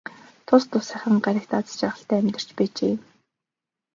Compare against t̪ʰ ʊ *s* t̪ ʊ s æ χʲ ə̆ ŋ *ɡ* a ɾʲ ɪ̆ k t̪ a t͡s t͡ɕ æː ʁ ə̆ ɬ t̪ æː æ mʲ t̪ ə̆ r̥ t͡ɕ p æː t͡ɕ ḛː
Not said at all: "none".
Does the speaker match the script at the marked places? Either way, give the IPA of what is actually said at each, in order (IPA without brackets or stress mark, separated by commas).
s, ɢ